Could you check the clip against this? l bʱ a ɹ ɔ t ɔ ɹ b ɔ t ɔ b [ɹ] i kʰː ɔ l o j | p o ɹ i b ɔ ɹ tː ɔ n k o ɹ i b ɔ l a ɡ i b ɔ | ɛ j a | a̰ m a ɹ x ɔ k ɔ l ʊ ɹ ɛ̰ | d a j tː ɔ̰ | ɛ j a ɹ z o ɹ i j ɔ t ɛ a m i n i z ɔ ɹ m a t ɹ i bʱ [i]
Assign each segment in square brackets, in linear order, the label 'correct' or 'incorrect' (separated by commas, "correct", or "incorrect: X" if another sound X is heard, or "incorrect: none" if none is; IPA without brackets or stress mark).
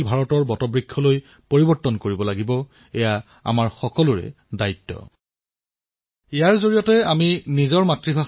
correct, incorrect: a